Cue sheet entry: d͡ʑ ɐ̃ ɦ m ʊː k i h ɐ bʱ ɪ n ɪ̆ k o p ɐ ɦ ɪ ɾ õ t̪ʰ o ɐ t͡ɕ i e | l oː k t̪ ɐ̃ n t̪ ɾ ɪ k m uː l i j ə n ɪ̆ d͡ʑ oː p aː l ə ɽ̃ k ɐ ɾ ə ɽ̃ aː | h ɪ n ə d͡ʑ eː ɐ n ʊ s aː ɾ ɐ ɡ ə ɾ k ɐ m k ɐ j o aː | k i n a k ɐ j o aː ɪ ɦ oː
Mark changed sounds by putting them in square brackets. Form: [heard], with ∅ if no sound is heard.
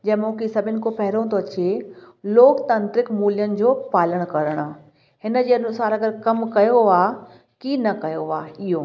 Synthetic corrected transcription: d͡ʑ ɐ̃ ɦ m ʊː k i [s] ɐ bʱ ɪ n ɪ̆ k o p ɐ ɦ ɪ ɾ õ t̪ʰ o ɐ t͡ɕ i e | l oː k t̪ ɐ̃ n t̪ ɾ ɪ k m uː l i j ə n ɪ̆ d͡ʑ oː p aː l ə ɽ̃ k ɐ ɾ ə ɽ̃ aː | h ɪ n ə d͡ʑ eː ɐ n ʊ s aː ɾ ɐ ɡ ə ɾ k ɐ m k ɐ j o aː | k i n [ɐ] k ɐ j o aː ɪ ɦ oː